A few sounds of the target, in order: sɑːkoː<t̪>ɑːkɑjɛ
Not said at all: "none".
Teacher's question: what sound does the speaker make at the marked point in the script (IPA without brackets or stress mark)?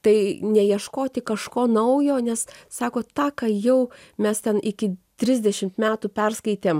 t̪